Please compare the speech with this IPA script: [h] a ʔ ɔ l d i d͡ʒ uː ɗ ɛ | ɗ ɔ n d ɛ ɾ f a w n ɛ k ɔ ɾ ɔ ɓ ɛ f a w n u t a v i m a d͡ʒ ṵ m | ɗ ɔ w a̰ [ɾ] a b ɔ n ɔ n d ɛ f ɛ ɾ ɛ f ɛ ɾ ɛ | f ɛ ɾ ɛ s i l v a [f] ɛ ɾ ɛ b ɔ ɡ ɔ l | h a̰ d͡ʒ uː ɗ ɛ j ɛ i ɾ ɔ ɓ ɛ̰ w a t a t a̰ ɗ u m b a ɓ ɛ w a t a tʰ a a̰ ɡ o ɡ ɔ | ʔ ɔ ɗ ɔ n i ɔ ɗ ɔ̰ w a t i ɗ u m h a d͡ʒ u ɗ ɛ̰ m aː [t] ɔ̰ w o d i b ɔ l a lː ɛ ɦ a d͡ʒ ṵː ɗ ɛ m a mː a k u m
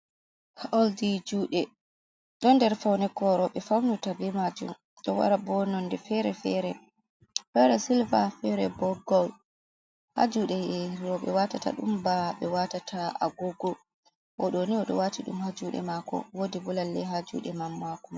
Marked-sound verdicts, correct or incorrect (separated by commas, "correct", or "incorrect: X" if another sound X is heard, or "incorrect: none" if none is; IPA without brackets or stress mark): correct, correct, correct, incorrect: k